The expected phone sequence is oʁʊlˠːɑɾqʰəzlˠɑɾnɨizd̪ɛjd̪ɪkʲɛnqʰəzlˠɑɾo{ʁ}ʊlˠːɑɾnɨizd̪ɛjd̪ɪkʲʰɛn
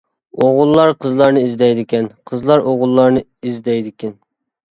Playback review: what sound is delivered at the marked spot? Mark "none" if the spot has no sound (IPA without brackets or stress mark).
ʁ